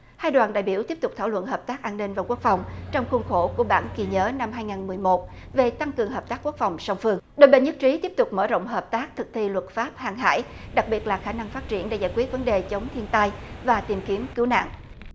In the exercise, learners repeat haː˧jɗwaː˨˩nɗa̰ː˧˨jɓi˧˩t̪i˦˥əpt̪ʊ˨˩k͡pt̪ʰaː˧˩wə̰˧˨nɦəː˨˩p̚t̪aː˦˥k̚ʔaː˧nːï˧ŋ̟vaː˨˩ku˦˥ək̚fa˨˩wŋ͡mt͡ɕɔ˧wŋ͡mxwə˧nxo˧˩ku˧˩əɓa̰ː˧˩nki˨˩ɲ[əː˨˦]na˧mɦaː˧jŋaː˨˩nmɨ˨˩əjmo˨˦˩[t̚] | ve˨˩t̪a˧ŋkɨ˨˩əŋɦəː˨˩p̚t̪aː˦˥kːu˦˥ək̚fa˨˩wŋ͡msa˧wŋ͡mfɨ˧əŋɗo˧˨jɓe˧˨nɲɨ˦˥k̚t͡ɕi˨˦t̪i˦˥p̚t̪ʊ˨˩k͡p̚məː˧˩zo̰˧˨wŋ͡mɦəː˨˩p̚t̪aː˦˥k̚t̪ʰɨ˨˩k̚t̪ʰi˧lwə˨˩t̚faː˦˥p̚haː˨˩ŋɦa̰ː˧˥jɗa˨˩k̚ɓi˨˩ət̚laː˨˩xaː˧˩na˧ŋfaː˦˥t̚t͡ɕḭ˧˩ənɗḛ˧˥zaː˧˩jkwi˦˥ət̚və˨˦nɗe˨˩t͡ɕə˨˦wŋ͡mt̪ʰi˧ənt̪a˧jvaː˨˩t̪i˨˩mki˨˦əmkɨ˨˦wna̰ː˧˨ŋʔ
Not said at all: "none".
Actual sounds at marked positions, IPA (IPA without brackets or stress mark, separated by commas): əː˨˦, t̚